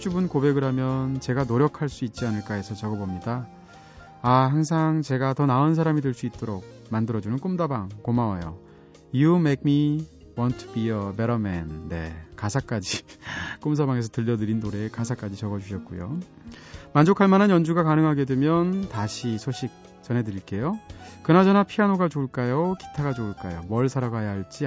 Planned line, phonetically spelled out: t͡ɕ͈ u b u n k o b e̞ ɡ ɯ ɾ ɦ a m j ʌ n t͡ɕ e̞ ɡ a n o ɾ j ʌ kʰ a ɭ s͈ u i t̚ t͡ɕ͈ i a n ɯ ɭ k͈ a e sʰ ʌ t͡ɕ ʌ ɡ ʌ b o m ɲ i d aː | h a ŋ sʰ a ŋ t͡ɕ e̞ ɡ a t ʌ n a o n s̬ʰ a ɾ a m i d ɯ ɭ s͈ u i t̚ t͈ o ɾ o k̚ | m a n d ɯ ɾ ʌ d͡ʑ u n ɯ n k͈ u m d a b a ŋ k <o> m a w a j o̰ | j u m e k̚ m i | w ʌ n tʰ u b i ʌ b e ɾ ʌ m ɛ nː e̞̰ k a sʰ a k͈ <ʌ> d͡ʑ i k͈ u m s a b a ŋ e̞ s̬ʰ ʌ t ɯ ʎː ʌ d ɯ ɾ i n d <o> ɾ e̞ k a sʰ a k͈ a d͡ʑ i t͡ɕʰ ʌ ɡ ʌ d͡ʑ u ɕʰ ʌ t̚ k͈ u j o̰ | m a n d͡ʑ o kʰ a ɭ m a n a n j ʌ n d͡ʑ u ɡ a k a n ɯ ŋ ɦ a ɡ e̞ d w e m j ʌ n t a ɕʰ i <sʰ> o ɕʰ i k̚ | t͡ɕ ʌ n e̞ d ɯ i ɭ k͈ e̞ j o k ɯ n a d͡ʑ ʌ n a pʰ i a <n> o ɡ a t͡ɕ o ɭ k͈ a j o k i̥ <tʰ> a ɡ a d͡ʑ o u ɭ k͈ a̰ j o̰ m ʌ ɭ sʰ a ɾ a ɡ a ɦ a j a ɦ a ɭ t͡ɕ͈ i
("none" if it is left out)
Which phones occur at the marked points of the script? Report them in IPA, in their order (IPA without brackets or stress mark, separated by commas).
o, a, o, sʰ, n, tʰ